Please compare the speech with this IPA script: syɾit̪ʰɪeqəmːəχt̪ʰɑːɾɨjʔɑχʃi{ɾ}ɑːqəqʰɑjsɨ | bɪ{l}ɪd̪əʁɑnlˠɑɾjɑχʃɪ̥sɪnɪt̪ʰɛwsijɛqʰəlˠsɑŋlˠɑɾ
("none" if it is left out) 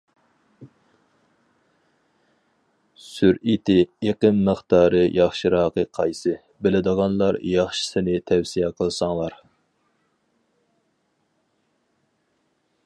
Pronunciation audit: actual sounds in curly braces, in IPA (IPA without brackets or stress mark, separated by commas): ɾ, l